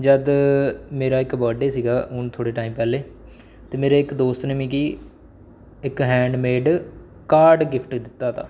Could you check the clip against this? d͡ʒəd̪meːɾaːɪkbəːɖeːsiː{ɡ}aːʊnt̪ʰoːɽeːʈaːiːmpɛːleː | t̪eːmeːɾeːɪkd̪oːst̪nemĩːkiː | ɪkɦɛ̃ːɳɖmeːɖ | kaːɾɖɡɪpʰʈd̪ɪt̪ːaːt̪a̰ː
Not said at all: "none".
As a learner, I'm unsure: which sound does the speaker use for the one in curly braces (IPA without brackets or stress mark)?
ɡ